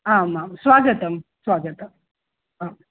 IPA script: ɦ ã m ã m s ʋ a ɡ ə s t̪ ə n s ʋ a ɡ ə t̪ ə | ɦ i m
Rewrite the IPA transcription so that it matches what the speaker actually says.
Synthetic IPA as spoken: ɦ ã m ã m s ʋ a ɡ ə t̪ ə m s ʋ a ɡ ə t̪ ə | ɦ a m